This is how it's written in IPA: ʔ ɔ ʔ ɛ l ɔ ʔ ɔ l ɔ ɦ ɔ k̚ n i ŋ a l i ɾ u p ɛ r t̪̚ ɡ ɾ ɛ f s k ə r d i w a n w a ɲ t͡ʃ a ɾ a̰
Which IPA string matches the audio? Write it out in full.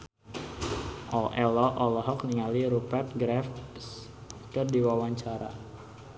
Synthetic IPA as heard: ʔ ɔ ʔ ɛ l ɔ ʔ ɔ l ɔ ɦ ɔ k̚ n i ŋ a l i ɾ u p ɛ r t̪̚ ɡ ɾ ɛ f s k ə r d i w a w a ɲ t͡ʃ a ɾ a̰